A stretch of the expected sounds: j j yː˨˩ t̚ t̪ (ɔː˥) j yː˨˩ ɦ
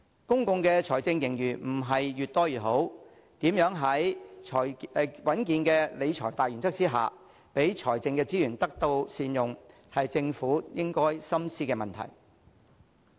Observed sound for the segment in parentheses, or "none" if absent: ɔː˥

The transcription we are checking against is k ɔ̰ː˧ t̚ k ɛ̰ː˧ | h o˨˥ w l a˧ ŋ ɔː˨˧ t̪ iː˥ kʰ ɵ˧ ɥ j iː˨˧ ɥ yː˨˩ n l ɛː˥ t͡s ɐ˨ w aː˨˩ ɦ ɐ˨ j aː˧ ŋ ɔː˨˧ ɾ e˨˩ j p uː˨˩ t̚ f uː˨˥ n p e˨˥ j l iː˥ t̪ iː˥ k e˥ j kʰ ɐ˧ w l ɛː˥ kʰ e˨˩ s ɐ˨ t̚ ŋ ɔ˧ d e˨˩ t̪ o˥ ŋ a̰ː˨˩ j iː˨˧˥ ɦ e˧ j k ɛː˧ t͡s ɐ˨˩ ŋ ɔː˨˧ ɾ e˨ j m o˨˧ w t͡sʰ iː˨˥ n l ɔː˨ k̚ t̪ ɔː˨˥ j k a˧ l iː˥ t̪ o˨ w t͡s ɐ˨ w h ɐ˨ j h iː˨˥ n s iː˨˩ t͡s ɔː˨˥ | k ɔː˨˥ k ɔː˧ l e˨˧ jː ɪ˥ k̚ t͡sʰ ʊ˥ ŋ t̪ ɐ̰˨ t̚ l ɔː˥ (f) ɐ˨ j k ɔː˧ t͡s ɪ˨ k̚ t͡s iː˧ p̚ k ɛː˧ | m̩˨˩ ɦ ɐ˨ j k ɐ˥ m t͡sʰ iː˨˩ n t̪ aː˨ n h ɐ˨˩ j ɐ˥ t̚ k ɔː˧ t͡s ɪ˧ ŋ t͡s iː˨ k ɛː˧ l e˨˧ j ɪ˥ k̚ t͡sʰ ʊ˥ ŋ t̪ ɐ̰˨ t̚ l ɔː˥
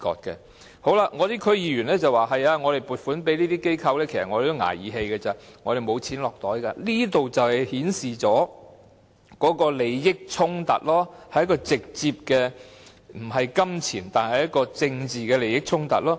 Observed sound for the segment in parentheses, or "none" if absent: h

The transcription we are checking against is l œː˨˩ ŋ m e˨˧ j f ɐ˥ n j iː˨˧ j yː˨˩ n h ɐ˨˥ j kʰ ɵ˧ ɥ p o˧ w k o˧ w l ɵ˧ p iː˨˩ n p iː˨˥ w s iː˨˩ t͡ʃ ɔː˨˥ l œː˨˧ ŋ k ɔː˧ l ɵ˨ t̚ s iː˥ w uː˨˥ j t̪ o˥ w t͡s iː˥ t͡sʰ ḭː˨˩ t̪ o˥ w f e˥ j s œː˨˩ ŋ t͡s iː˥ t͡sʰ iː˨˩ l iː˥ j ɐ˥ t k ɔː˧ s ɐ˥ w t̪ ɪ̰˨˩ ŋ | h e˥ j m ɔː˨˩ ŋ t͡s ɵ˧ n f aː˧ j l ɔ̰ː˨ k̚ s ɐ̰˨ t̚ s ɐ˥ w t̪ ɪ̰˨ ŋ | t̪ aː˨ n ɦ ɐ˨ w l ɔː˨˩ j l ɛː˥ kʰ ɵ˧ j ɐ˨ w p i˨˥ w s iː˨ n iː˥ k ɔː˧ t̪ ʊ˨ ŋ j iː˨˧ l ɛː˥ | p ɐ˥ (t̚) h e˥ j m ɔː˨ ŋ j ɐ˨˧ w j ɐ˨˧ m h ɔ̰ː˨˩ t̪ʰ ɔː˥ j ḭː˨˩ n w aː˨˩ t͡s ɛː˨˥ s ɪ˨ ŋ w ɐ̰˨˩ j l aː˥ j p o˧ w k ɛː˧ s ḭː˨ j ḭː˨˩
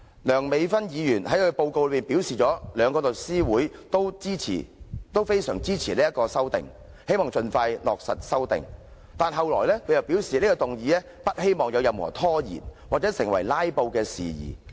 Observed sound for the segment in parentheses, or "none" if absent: t̚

